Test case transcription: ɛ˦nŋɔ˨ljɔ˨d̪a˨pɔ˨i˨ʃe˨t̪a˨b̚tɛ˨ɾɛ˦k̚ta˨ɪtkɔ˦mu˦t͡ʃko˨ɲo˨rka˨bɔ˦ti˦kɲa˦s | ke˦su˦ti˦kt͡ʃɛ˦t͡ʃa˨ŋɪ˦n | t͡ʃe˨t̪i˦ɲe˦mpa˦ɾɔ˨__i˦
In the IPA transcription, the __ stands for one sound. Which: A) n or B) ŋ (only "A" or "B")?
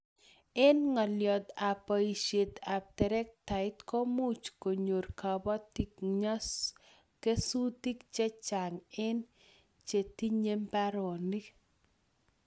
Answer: A